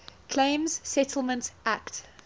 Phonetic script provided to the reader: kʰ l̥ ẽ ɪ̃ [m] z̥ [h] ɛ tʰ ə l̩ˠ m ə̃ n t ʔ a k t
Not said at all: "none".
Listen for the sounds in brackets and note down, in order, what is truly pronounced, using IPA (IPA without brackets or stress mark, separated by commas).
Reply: m, s